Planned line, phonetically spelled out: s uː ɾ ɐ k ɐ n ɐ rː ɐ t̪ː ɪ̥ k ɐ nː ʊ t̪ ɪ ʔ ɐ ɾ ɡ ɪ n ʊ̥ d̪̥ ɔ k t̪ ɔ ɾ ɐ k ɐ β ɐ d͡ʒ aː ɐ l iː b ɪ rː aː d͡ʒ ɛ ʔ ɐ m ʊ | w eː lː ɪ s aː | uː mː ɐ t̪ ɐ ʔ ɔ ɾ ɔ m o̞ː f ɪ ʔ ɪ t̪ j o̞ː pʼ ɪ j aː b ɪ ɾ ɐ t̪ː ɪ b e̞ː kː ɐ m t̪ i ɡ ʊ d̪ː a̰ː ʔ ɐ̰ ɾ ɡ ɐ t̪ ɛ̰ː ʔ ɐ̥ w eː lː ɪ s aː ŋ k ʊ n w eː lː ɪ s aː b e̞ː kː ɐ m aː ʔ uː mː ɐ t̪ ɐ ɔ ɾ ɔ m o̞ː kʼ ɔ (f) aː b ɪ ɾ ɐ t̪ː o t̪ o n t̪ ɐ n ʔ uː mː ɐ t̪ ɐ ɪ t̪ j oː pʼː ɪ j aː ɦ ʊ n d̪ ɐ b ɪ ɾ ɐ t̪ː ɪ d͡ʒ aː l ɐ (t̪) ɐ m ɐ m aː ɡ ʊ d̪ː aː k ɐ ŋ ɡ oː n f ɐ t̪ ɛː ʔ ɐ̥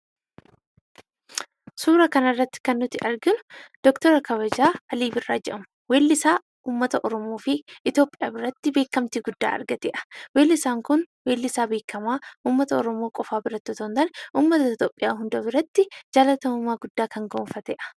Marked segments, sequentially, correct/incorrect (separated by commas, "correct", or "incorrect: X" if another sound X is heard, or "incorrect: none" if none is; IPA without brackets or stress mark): correct, correct